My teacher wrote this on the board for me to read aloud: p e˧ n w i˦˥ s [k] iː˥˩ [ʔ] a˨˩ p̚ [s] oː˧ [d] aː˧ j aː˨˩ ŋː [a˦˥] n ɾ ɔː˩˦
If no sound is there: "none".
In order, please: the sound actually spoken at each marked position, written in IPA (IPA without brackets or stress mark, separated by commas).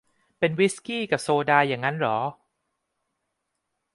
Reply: k, k, s, d, a˦˥